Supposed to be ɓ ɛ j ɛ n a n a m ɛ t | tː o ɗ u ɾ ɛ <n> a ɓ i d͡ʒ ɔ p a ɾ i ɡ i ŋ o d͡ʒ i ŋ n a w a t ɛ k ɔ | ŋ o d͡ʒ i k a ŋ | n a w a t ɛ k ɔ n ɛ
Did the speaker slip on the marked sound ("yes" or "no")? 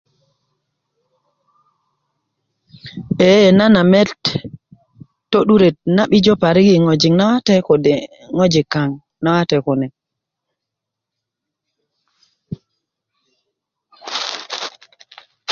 no